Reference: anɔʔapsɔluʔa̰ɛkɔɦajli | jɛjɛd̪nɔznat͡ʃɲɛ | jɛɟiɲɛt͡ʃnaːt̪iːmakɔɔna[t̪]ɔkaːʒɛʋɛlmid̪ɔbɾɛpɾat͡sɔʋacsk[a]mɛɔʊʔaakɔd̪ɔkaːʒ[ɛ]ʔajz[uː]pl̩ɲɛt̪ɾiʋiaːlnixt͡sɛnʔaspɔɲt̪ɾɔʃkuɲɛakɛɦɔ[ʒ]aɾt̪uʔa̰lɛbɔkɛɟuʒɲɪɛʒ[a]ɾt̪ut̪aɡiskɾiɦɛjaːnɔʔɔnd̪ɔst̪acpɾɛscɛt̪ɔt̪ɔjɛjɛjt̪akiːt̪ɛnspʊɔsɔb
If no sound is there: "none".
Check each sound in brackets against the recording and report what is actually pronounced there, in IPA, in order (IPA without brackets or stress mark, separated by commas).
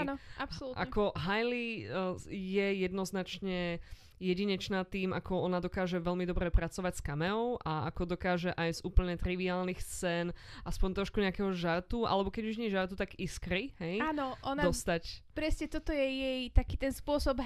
d̪, a, ɛ, uː, ʒ, a